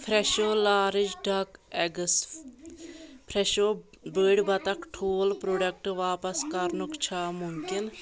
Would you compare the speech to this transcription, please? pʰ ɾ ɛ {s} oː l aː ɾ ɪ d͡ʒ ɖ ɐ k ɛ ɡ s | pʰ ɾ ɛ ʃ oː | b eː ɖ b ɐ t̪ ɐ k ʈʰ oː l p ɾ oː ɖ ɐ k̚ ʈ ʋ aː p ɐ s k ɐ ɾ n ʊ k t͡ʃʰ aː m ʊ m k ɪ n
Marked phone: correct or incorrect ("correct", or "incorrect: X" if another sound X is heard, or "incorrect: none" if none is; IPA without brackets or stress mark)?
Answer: incorrect: ʃ